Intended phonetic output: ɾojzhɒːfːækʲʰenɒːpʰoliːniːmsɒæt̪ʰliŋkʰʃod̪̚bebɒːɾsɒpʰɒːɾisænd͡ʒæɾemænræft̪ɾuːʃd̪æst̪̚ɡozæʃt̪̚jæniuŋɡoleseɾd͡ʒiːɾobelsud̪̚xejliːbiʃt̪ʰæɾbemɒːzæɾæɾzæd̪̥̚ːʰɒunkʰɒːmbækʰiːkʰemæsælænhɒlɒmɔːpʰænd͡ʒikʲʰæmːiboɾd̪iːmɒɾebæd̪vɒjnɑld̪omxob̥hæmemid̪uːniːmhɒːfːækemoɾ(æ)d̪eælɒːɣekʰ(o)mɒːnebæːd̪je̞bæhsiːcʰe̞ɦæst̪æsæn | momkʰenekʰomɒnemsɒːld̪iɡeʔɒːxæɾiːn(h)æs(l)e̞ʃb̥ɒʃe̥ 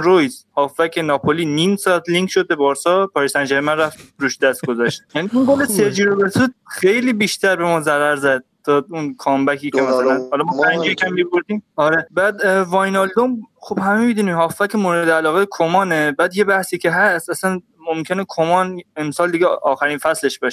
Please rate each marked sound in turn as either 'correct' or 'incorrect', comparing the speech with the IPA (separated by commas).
incorrect, correct, incorrect, correct